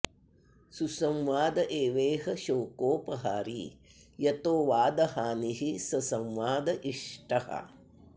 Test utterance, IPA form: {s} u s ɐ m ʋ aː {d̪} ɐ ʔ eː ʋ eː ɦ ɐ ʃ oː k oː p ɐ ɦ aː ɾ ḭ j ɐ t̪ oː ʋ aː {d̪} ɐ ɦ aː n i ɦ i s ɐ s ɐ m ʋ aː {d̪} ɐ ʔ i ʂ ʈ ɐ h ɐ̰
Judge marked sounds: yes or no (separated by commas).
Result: yes, yes, yes, yes